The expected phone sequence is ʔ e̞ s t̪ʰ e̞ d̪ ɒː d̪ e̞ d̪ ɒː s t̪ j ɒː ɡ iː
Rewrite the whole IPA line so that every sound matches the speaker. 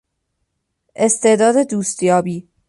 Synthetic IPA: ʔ e̞ s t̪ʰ e̞ d̪ ɒː d̪ e̞ d̪ uː s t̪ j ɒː b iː